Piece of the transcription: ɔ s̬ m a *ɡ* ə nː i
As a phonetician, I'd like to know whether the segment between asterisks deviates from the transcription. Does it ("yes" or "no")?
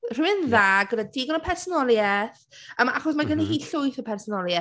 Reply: no